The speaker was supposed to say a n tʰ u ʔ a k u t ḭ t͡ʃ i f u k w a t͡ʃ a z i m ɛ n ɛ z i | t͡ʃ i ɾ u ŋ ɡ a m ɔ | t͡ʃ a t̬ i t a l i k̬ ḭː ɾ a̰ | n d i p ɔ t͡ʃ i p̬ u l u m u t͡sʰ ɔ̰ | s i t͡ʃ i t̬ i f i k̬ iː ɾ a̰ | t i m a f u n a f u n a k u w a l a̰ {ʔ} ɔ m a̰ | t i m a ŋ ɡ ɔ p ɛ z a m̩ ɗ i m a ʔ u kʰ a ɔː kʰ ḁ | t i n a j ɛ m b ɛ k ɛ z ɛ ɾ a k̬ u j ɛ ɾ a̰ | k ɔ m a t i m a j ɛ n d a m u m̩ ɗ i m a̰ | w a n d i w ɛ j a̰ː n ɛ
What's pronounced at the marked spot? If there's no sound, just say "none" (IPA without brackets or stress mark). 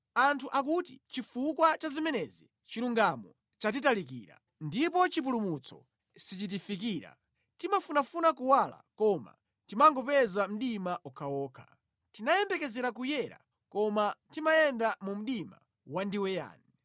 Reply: k